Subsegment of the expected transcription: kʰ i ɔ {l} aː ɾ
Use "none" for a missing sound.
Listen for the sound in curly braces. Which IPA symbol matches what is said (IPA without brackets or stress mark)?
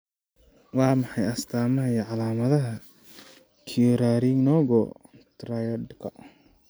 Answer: ɾ